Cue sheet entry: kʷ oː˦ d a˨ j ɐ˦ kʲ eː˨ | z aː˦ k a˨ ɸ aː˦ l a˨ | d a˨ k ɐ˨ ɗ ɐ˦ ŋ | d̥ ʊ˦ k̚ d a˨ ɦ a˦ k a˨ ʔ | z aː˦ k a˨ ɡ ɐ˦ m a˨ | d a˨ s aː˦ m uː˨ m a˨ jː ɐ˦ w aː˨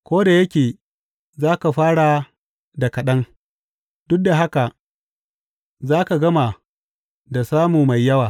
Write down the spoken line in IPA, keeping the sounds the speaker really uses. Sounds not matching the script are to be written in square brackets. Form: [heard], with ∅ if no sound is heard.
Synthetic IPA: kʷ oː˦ d a˨ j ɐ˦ kʲ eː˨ | z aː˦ k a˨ ɸ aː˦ [ɽ] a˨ | d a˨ k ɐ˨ ɗ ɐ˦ ŋ | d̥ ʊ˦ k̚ d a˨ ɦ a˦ k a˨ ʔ | z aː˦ k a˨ ɡ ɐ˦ m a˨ | d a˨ s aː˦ m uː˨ m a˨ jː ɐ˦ w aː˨

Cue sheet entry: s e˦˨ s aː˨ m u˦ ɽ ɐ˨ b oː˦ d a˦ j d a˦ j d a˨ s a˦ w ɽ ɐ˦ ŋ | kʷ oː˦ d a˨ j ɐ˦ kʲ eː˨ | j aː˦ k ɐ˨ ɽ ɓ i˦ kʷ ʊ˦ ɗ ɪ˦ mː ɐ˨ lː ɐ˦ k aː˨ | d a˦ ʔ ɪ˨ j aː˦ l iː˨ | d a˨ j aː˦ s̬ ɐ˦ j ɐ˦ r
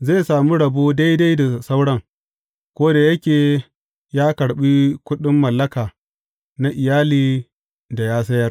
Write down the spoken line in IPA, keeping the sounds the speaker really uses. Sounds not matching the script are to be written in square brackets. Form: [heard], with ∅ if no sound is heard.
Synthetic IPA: [z] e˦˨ s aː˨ m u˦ ɽ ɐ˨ b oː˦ d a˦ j d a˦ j d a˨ s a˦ w ɽ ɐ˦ ŋ | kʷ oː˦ d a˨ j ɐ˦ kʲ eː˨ | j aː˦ k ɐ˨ ɽ ɓ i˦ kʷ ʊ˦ ɗ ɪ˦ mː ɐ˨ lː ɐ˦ k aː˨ | [n] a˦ ʔ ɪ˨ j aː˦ l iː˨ | d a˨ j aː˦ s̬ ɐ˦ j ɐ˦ r

